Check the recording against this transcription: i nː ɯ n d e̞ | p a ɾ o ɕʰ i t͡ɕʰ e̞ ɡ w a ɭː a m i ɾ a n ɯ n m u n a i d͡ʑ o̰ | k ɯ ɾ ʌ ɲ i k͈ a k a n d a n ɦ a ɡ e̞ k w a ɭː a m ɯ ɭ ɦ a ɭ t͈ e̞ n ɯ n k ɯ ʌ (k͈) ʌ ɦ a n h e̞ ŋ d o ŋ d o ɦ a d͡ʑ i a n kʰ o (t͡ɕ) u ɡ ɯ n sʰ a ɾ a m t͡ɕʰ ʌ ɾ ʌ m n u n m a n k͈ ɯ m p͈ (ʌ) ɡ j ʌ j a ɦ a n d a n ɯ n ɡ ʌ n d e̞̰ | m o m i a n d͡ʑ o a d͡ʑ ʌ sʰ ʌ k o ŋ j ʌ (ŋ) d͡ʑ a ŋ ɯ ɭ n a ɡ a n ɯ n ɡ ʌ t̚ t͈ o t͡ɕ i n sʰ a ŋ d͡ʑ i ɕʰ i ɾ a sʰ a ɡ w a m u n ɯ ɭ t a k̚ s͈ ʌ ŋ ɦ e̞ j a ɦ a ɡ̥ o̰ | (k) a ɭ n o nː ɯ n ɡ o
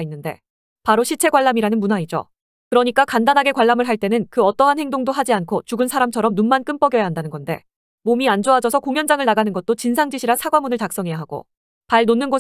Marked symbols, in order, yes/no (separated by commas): no, yes, yes, no, no